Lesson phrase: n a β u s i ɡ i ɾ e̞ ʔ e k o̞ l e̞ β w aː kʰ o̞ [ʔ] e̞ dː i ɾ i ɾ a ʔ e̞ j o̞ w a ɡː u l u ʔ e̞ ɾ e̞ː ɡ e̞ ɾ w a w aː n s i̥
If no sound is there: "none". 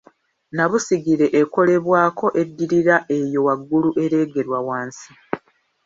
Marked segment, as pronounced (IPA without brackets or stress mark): ʔ